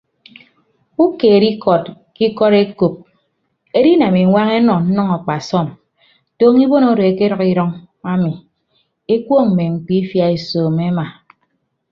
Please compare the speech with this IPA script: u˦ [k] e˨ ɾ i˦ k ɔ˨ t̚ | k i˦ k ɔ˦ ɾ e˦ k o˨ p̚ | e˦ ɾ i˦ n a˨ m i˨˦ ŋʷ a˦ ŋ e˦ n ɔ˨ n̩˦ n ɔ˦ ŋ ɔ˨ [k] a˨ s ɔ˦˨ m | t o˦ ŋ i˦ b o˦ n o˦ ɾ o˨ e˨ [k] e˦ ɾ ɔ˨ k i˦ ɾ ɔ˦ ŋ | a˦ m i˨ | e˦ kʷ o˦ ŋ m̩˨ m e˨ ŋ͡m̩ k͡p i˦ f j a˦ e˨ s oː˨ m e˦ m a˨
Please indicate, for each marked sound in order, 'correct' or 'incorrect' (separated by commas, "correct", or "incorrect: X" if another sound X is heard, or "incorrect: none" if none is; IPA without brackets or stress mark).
correct, incorrect: k͡p, correct